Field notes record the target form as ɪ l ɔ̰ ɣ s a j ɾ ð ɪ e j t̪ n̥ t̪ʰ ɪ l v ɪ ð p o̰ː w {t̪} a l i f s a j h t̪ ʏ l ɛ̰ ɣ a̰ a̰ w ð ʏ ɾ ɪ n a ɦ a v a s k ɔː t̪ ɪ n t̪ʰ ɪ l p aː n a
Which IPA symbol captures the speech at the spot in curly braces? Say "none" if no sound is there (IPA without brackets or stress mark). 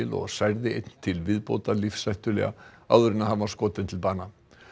t̪